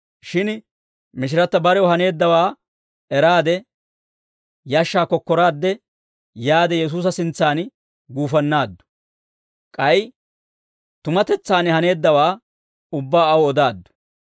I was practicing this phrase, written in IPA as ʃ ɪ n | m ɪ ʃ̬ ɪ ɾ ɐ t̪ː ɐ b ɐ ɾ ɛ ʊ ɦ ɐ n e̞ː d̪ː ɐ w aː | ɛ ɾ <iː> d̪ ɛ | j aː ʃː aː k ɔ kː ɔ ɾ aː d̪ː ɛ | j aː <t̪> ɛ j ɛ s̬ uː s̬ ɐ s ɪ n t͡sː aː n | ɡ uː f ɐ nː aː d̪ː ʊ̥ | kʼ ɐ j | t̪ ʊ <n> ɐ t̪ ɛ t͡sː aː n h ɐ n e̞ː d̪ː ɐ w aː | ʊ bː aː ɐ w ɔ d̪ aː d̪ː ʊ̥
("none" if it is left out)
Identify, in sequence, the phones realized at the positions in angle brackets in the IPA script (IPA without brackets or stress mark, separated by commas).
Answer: aː, d̪, m